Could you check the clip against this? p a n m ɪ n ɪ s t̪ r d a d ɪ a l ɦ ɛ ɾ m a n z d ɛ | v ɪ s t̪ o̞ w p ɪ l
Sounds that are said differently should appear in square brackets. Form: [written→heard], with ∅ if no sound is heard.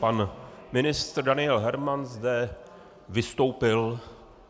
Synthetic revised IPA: p a n m ɪ n ɪ s t̪ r d a [d→n] ɪ [a→ɛ] l ɦ ɛ ɾ m a n z d ɛ | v ɪ s t̪ o̞ w p ɪ l